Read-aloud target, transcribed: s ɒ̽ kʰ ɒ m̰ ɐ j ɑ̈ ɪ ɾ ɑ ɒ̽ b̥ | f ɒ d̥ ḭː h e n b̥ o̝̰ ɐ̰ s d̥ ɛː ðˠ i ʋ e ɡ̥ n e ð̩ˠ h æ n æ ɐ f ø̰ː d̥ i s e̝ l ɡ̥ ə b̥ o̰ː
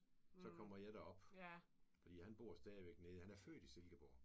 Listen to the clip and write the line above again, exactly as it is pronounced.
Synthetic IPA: s ɒ̽ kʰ ɒ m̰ ɐ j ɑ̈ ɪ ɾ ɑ ɒ̽ b̥ | f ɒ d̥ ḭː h æ n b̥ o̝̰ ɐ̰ s d̥ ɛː ðˠ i ʋ e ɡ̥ n e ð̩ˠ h æ n æ ɐ f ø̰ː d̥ i s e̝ l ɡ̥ ə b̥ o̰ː